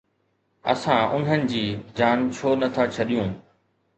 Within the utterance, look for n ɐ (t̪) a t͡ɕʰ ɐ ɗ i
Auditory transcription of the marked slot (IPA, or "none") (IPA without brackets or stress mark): t̪ʰ